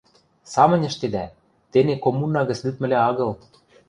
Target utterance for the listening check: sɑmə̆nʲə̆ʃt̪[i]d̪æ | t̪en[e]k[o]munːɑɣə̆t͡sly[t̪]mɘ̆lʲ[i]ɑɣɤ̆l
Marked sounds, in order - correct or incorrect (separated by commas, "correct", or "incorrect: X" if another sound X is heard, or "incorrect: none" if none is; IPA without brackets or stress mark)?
incorrect: e, correct, correct, correct, incorrect: æ